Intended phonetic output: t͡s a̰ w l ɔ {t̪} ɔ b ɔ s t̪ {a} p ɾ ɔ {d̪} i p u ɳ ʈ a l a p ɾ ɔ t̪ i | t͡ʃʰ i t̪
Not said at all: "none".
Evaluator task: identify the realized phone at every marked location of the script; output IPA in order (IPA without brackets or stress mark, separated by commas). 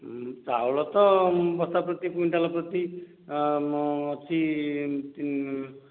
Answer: t̪, a, t̪